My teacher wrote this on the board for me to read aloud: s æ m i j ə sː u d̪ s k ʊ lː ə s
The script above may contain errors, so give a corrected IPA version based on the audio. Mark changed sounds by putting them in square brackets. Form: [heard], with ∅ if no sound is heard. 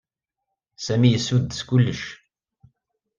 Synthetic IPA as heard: s æ m i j ə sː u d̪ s k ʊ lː ə [ʃ]